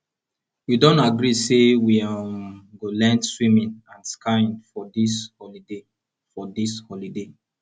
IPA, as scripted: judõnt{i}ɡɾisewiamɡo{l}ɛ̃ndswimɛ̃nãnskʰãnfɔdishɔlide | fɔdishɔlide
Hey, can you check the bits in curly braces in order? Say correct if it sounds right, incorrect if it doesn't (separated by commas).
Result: incorrect, correct